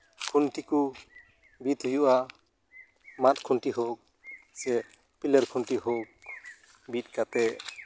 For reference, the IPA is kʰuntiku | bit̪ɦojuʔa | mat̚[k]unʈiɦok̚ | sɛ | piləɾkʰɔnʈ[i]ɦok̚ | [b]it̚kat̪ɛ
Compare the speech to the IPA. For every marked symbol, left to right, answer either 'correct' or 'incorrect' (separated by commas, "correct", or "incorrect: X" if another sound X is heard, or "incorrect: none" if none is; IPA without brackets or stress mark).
incorrect: kʰ, correct, correct